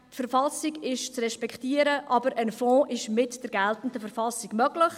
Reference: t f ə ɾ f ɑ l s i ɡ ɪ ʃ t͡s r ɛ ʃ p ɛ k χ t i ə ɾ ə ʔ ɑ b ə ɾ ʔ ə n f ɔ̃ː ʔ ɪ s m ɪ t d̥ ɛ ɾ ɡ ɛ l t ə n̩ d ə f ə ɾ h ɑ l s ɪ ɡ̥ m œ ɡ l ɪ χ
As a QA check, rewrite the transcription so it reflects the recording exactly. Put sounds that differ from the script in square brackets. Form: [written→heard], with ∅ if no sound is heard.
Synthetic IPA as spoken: t f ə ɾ f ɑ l s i ɡ ɪ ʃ t͡s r ɛ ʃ p ɛ k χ t i ə ɾ ə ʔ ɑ b ə ɾ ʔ ə n f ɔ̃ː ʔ ɪ [s→ʃ] m ɪ t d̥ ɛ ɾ ɡ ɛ l t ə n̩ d ə f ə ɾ [h→f] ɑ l s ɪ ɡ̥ m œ ɡ l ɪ χ